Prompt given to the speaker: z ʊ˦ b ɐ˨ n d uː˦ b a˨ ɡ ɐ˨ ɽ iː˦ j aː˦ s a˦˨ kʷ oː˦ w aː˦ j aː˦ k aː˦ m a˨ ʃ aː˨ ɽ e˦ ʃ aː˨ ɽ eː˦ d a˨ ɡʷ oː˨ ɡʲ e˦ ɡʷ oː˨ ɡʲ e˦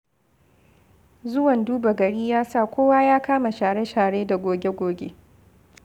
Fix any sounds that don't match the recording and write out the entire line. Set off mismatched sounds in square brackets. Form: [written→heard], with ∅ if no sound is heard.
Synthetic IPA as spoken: z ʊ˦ [b→w] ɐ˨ n d uː˦ b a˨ ɡ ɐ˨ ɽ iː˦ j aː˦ s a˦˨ kʷ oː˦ w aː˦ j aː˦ k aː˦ m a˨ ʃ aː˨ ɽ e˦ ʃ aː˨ ɽ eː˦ d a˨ ɡʷ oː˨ ɡʲ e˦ ɡʷ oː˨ ɡʲ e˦

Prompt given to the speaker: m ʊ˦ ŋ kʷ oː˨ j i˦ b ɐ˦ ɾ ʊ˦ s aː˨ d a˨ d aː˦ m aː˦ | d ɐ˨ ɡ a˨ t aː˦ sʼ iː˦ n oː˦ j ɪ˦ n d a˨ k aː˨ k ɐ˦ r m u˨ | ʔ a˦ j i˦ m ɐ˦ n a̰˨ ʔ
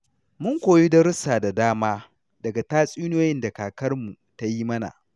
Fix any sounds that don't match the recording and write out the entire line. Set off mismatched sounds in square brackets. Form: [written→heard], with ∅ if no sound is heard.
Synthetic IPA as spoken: m ʊ˦ ŋ kʷ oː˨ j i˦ [b→d] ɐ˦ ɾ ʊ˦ s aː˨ d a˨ d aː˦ m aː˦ | d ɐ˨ ɡ a˨ t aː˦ sʼ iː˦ n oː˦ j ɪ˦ n d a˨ k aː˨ k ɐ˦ r m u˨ | [ʔ→t] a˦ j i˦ m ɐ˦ n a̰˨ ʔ

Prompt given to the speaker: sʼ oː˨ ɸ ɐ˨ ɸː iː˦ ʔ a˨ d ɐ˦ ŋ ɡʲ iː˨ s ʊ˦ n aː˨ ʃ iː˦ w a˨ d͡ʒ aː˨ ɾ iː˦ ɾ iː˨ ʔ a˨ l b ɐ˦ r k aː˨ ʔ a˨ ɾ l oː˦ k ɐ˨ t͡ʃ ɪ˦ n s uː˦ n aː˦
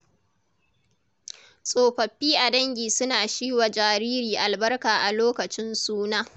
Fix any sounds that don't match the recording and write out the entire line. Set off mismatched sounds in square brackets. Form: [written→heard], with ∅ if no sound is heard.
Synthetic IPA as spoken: sʼ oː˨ ɸ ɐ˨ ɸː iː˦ ʔ a˨ d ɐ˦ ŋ ɡʲ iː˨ s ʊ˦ n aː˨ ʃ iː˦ w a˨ d͡ʒ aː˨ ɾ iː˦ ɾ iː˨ ʔ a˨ l b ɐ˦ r k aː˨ ʔ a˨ [ɾ→∅] l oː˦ k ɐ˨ t͡ʃ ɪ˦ n s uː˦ n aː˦

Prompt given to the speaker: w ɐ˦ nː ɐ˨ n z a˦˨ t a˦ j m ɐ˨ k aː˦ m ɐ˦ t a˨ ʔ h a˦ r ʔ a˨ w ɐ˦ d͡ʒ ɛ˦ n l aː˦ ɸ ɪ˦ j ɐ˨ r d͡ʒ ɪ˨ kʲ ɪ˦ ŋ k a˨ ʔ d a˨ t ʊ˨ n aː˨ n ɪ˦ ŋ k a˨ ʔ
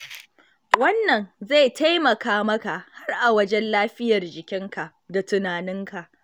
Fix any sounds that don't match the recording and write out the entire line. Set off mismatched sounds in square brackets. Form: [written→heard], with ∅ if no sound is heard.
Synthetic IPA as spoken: w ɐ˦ nː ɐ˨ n z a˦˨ t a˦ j m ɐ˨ k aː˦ m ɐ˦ [t→k] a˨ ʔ h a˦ r ʔ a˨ w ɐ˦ d͡ʒ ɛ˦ n l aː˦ ɸ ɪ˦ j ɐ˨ r d͡ʒ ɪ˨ kʲ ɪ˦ ŋ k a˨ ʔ d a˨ t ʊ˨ n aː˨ n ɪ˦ ŋ k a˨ ʔ

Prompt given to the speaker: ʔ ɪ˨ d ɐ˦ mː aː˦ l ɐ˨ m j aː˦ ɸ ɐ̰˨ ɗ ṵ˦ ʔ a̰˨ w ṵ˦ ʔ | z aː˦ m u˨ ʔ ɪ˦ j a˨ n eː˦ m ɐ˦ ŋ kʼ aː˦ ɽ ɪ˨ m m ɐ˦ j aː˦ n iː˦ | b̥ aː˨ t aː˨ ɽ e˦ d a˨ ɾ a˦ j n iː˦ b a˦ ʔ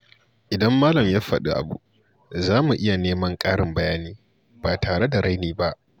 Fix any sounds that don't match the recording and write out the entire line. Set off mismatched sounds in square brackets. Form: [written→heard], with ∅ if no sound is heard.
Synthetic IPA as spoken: ʔ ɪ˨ d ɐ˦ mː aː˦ l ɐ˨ m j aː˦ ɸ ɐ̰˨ ɗ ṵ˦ ʔ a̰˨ [w→b] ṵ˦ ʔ | z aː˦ m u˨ ʔ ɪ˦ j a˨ n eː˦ m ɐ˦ ŋ kʼ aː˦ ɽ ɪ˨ m [m→b] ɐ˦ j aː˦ n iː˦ | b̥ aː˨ t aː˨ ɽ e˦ d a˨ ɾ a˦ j n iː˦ b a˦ ʔ

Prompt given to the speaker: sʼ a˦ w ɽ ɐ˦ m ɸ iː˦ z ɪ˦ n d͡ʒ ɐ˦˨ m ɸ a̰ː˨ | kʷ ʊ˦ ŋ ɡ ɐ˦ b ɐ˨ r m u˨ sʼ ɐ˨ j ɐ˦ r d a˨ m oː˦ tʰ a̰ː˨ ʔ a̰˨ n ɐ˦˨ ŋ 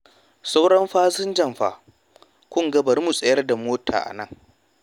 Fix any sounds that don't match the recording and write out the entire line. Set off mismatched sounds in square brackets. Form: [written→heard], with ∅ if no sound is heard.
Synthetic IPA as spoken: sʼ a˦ w ɽ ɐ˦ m ɸ [iː˦→aː˦] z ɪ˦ n d͡ʒ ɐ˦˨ m ɸ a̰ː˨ | kʷ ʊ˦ ŋ ɡ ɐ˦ b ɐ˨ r m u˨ sʼ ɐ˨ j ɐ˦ r d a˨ m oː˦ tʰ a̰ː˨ ʔ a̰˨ n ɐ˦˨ ŋ

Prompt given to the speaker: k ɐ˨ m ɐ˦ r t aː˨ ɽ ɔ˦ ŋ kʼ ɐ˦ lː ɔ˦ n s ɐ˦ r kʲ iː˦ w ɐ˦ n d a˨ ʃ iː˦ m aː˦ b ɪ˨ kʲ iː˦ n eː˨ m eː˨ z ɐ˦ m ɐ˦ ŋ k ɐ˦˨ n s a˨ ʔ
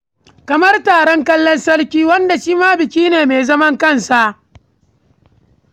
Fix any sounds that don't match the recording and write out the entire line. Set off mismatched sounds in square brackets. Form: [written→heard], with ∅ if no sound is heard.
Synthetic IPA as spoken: k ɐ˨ m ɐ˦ r t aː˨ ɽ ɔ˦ ŋ [kʼ→k] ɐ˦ lː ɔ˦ n s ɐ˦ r kʲ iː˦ w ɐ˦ n d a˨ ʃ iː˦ m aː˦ b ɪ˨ kʲ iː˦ n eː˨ m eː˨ z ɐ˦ m ɐ˦ ŋ k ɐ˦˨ n s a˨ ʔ

